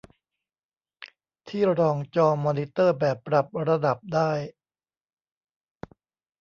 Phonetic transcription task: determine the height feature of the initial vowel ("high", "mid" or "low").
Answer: high